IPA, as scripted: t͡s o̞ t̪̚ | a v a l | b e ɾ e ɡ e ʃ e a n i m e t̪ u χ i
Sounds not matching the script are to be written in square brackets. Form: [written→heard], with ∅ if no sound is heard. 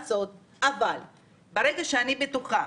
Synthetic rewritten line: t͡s o̞ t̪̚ | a v a l | b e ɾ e ɡ [e→a] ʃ e a n i [m→b] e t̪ u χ [i→a]